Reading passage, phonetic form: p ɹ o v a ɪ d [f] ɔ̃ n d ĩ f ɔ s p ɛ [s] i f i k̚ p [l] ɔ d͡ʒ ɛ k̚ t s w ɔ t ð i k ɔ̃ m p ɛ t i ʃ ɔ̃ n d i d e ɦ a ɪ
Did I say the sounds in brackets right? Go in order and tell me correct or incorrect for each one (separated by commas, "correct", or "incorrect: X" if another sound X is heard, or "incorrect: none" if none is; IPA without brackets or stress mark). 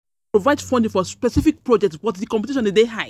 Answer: correct, correct, incorrect: ɹ